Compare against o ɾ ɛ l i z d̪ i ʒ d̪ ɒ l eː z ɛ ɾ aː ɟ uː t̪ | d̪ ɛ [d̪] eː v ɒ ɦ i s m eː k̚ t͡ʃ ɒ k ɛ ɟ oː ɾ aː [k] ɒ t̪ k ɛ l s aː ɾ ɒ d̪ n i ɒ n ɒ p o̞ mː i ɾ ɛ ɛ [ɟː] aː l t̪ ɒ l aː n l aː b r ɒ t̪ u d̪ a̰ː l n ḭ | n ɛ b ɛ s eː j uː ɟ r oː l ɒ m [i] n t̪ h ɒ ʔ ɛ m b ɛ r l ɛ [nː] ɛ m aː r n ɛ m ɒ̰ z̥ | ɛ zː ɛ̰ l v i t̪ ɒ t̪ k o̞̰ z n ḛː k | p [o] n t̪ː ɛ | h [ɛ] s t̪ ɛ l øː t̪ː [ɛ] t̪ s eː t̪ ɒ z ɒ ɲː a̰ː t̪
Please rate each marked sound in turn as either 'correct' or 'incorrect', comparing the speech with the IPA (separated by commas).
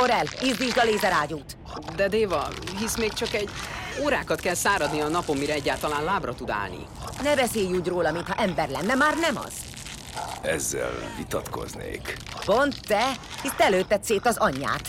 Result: correct, correct, correct, correct, correct, correct, incorrect, correct